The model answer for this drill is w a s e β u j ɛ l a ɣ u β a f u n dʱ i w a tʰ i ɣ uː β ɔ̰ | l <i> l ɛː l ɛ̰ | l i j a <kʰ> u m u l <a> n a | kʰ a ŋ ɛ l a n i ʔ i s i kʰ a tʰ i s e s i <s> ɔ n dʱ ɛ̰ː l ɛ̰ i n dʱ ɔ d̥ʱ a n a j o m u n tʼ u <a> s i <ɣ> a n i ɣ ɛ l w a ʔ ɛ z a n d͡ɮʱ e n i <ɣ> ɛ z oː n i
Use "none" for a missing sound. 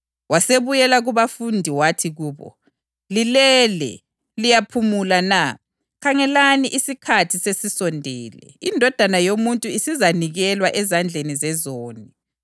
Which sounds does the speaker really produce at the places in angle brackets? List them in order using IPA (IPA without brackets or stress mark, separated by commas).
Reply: i, pʰ, a, s, i, z, z